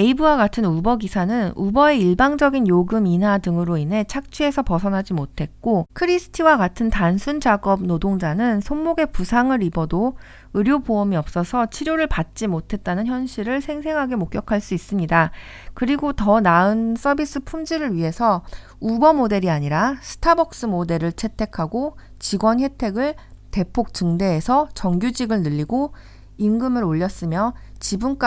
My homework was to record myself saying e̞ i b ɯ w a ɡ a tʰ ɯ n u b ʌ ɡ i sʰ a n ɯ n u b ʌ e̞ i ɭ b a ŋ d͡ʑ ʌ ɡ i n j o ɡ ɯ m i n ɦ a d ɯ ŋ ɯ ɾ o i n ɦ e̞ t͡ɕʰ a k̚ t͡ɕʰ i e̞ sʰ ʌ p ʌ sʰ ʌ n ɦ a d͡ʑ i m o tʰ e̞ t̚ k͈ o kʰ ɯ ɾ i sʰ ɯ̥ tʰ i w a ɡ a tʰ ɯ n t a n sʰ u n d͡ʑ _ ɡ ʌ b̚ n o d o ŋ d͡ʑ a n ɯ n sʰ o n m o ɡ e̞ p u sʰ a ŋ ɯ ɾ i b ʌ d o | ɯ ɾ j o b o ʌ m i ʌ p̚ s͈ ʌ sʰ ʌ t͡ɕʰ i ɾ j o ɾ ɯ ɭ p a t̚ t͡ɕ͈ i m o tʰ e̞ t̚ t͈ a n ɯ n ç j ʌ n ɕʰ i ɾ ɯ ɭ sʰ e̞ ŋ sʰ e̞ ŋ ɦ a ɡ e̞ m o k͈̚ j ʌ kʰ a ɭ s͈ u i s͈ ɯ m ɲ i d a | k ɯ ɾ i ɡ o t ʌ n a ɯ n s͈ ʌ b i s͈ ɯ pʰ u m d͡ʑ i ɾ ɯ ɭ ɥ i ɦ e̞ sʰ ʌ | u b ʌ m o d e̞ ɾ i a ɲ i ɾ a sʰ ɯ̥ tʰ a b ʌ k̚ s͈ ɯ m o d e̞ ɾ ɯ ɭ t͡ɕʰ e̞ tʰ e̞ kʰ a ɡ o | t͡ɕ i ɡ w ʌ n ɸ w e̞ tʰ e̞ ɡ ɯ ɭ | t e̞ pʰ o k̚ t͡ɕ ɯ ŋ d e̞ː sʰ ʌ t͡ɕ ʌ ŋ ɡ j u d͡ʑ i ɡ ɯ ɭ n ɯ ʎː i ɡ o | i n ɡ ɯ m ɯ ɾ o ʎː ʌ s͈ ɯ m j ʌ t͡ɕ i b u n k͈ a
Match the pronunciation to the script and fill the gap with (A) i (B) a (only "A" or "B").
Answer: B